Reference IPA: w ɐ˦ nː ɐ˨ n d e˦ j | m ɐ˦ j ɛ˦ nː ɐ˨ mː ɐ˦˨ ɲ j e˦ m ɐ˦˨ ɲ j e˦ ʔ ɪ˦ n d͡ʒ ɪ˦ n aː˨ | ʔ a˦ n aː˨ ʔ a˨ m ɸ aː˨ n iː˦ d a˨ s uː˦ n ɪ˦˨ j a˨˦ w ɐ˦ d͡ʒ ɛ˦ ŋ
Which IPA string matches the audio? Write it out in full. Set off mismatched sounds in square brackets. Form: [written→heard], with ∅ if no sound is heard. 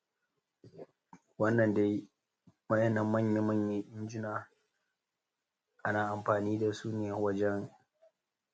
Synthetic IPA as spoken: w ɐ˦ nː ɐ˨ n d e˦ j | m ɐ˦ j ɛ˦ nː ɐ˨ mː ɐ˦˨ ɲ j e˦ m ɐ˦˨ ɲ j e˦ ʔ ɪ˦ n d͡ʒ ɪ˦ n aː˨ | ʔ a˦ n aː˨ ʔ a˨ m ɸ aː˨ n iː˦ d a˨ s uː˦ n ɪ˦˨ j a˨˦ w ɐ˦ d͡ʒ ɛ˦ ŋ